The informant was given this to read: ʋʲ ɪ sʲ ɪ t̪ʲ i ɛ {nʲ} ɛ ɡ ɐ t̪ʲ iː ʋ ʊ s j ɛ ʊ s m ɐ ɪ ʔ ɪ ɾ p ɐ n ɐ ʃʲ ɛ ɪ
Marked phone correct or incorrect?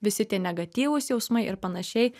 correct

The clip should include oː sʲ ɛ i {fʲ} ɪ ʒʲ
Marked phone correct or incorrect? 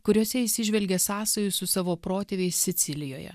incorrect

